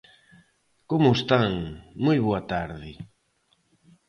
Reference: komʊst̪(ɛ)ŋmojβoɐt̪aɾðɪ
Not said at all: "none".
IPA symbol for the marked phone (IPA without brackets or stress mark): a